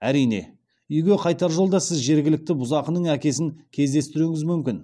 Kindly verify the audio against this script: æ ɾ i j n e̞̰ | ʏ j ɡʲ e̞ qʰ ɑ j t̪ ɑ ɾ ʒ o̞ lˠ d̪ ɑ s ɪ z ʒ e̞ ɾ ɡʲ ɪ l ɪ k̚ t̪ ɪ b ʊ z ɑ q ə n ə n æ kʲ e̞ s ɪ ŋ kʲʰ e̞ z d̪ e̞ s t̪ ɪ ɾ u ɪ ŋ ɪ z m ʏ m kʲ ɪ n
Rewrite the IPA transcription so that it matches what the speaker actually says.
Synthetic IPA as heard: æ ɾ i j n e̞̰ | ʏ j ɡʲ e̞ qʰ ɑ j t̪ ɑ ɾ ʒ o̞ lˠ d̪ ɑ s ɪ z ʒ e̞ ɾ ɡʲ ɪ l ɪ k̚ t̪ ɪ b ʊ z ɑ q ə n ə ɴ æ kʲ e̞ s ɪ ŋ kʲʰ e̞ z d̪ e̞ s t̪ ɪ ɾ u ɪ ŋ ɪ z m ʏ m kʲ ɪ n